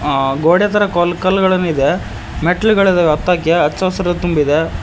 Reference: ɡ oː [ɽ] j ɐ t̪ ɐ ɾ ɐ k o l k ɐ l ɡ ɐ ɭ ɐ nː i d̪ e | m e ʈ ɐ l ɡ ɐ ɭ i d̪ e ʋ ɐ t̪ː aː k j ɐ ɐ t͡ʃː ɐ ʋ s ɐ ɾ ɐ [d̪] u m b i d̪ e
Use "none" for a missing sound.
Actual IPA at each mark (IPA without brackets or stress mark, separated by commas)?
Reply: ɽ, t̪